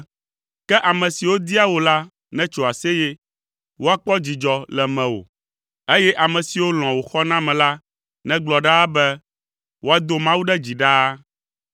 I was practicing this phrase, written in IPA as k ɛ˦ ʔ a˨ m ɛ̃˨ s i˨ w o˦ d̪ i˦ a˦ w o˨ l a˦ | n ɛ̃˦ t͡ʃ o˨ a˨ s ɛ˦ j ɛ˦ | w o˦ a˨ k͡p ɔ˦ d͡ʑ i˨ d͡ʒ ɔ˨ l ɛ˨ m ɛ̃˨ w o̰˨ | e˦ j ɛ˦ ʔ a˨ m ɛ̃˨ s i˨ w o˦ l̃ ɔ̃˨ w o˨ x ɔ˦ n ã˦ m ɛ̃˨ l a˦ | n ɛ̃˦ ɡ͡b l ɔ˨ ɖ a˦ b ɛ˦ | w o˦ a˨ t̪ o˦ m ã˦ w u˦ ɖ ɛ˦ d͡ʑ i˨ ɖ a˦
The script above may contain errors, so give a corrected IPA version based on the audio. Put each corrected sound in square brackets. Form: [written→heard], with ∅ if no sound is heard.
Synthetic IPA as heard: k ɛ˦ ʔ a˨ m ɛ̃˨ s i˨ w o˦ d̪ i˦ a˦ w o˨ l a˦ | n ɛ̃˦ t͡ʃ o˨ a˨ s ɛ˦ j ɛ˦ | w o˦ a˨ k͡p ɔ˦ d͡ʑ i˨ d͡ʒ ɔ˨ l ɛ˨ m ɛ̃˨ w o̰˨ | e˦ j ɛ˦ ʔ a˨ m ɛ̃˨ s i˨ w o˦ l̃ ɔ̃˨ w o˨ x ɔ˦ n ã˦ m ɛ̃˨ l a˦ | n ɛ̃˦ ɡ͡b l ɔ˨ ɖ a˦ b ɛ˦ | w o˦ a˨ [t̪→d̪] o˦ m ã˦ w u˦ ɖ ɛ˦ d͡ʑ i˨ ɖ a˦

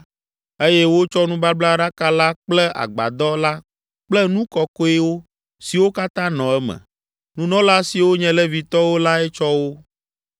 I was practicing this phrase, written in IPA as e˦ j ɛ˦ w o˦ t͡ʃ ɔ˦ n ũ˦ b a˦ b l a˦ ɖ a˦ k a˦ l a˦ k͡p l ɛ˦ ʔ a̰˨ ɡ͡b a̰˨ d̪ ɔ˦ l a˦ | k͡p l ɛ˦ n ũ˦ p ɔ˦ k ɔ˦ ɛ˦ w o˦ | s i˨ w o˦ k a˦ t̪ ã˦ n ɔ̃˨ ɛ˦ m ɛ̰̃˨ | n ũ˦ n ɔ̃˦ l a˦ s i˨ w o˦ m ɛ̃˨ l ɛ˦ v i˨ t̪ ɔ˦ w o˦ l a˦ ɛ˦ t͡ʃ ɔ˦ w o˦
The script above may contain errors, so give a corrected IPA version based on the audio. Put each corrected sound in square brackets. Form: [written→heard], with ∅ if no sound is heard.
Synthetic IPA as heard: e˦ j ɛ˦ w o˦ t͡ʃ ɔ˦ n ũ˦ b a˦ b l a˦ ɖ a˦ k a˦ l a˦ k͡p l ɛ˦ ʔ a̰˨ ɡ͡b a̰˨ d̪ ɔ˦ l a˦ | k͡p l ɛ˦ n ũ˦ [p→k] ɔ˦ k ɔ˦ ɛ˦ w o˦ | s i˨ w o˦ k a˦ t̪ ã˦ n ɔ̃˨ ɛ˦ m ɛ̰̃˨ | n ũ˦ n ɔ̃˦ l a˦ s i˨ w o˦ [m→ɲ] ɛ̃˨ l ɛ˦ v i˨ t̪ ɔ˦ w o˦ l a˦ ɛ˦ t͡ʃ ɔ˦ w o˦

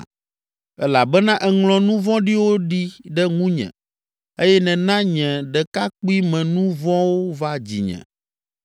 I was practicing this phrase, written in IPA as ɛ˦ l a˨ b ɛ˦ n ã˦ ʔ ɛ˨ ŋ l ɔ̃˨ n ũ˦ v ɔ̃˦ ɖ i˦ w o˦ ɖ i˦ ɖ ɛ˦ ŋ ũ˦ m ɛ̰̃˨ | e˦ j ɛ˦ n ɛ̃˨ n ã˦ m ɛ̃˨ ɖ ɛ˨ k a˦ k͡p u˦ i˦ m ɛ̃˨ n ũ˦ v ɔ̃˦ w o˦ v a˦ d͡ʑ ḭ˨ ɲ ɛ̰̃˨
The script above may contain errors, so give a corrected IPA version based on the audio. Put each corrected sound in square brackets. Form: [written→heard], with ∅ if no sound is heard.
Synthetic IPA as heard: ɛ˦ l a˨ b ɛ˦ n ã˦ ʔ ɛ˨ ŋ l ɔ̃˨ n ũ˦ v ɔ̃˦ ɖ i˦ w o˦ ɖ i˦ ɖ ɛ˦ ŋ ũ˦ [m→ɲ] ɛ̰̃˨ | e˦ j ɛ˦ n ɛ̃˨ n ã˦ [m→ɲ] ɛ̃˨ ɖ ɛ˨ k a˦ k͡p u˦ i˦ m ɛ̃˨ n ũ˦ v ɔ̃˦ w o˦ v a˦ d͡ʑ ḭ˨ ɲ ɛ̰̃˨

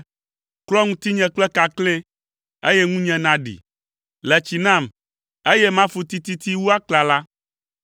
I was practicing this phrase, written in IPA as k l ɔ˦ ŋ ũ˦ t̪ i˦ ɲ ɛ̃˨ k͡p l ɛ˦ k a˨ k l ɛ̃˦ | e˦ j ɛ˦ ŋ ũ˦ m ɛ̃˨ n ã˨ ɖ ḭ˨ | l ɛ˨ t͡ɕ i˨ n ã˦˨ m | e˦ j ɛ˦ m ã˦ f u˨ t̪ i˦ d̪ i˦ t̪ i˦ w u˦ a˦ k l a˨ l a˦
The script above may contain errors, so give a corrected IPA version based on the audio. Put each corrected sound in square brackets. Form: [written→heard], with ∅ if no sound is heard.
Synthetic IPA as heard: k l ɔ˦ ŋ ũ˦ t̪ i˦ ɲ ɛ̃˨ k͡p l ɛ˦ k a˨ k l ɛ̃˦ | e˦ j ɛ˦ ŋ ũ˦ [m→ɲ] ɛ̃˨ n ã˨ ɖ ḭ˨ | l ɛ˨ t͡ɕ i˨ n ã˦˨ m | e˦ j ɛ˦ m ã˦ f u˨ t̪ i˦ [d̪→t̪] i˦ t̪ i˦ w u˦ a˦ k l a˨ l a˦

